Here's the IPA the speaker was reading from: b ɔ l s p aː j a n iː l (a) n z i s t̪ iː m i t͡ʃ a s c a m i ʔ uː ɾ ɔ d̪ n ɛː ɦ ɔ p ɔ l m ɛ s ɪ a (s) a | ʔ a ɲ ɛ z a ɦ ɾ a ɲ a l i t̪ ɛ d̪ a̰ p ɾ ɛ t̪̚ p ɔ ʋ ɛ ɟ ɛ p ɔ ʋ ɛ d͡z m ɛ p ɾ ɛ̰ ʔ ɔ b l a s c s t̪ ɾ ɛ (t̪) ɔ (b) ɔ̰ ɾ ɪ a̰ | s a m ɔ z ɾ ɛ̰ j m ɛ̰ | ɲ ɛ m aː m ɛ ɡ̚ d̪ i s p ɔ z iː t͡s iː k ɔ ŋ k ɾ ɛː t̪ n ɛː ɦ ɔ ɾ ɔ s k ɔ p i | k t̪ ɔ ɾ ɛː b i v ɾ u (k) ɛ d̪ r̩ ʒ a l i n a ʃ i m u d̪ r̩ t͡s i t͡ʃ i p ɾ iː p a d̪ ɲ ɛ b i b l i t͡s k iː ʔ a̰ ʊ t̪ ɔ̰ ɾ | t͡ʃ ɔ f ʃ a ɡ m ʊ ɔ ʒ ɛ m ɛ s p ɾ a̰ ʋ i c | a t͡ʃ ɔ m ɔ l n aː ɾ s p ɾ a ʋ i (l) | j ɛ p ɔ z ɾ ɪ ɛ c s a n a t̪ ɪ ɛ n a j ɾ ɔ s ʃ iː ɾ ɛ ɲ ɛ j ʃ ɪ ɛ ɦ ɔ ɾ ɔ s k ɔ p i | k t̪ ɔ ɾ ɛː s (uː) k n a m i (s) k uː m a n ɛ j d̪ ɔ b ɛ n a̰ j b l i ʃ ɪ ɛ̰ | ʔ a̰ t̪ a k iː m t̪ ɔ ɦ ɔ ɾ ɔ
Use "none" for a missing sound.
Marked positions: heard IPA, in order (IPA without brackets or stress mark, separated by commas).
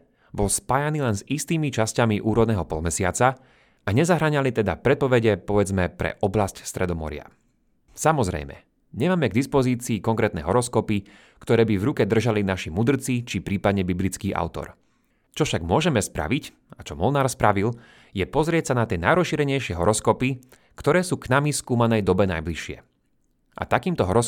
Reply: ɛ, t͡s, d̪, m, k, l, uː, s